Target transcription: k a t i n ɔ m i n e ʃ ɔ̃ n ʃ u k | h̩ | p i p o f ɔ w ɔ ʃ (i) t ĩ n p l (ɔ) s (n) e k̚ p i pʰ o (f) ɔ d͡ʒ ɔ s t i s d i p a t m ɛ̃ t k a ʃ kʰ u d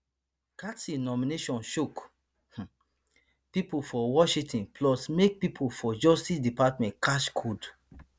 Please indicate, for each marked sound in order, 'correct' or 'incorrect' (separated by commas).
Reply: correct, correct, incorrect, correct